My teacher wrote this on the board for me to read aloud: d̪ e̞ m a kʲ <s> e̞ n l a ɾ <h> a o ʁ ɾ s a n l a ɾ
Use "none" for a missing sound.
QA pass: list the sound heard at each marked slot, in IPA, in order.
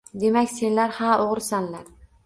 s, h

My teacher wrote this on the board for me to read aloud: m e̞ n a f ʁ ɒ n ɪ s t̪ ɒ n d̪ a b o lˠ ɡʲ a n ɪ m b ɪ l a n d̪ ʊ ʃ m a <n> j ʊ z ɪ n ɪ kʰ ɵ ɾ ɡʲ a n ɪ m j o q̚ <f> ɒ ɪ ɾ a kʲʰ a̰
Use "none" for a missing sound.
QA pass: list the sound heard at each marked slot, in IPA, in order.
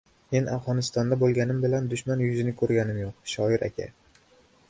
n, ʃ

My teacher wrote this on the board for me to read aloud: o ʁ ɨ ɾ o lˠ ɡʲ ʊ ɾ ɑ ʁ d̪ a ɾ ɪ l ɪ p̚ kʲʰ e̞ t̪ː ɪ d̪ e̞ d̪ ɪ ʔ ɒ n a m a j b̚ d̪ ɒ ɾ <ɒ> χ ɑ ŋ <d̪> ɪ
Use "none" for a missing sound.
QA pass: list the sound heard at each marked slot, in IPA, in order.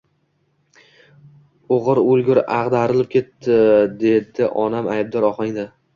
ɒ, d̪

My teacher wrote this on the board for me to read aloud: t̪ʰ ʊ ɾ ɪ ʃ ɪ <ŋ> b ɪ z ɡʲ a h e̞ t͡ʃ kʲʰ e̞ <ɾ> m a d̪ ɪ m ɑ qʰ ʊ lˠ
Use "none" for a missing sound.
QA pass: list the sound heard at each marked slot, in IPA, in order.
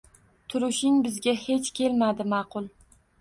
ŋ, l

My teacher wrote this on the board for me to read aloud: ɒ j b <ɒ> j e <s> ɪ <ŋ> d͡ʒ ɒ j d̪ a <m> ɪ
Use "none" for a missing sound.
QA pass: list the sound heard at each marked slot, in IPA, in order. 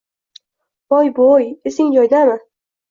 o, s, ŋ, m

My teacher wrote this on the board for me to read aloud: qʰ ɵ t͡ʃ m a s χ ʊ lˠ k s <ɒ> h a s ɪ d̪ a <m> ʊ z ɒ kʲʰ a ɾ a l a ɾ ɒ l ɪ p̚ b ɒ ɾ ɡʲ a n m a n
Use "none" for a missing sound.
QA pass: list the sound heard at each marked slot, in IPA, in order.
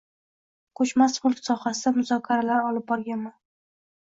ɒ, m

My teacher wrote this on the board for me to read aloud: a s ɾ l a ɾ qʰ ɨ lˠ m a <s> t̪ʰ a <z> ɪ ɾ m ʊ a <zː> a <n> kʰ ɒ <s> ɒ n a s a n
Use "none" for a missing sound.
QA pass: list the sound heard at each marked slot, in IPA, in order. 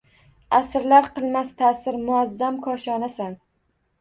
s, s, zː, m, ʃ

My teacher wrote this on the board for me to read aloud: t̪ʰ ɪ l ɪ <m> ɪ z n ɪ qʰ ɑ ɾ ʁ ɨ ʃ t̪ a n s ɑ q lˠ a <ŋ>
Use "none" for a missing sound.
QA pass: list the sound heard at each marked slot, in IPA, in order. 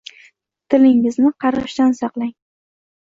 ŋ, ŋ

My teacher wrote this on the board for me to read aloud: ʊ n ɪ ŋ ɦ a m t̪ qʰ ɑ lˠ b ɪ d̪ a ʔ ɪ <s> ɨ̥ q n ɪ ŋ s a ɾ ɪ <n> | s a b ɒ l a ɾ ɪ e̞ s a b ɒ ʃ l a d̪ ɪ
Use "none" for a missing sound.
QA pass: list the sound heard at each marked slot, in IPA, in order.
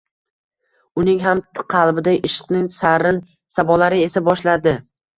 ʃ, n

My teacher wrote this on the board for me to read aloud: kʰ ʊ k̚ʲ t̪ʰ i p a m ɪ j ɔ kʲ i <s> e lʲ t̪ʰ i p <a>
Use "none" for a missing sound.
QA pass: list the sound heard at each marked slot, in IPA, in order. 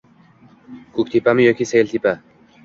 s, a

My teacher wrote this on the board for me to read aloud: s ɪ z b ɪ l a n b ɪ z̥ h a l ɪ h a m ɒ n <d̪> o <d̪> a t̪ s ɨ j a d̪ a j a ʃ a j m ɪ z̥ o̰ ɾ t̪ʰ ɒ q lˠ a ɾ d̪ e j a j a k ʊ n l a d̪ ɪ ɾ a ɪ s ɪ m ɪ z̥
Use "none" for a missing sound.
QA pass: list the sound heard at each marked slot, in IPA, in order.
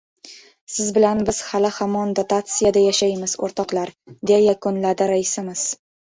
d̪, t̪

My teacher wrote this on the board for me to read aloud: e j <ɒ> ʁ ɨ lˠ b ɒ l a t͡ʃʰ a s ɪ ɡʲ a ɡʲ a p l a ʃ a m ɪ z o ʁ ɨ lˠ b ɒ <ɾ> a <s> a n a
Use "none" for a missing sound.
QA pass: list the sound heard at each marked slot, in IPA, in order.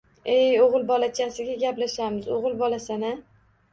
o, l, s

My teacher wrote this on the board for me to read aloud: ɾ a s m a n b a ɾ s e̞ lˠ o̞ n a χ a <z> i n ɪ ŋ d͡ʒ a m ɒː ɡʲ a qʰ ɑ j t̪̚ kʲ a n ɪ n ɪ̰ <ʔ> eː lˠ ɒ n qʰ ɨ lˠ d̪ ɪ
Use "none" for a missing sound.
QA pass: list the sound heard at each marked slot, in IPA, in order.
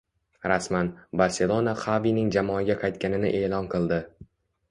v, ʔ

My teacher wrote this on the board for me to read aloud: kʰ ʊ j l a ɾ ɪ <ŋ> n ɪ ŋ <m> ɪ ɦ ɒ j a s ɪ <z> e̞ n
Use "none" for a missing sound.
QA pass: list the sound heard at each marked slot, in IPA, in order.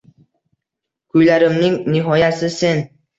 m, n, s

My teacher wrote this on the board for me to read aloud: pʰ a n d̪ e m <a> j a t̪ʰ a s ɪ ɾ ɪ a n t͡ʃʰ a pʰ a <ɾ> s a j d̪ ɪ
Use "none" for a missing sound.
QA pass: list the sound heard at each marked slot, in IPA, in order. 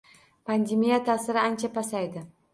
i, none

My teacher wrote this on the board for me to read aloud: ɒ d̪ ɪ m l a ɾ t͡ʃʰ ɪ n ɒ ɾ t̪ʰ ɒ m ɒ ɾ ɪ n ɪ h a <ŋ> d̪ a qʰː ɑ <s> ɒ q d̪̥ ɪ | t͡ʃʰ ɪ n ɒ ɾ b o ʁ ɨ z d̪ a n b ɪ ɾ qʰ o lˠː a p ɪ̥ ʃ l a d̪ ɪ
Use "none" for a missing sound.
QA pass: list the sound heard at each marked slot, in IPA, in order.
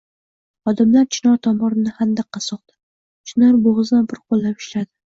n, s

